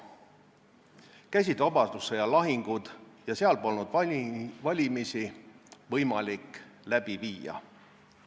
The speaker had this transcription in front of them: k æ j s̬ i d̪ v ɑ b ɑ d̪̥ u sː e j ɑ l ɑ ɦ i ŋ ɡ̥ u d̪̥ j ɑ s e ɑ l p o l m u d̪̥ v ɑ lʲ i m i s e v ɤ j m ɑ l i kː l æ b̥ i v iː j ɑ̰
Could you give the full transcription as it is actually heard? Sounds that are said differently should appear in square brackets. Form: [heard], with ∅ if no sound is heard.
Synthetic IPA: k æ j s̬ i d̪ v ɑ b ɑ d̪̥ u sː e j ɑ l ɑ ɦ i ŋ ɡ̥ u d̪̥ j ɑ s e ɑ l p o l [n] u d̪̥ v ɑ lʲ i m i s [i] v ɤ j m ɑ l i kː l æ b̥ i v iː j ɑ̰